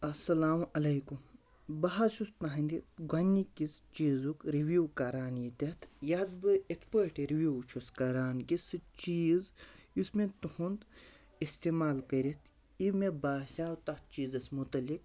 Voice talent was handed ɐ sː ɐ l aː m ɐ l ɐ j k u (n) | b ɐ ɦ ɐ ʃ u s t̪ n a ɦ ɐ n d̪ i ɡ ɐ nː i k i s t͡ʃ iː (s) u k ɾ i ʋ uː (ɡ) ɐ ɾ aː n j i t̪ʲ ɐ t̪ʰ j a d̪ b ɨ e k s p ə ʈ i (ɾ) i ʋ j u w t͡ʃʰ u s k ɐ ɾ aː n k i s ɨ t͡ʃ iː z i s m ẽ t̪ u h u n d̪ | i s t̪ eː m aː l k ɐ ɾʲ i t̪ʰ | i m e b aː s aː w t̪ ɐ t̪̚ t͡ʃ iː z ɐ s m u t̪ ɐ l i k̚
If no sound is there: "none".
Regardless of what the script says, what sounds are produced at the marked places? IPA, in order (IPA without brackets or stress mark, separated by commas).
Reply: m, z, k, ɾ